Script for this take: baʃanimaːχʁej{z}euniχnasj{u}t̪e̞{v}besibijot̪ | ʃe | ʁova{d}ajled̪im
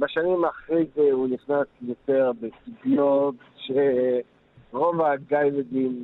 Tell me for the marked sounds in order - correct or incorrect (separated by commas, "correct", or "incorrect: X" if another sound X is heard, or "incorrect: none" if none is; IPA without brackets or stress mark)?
correct, incorrect: o, incorrect: ʁ, incorrect: ɡ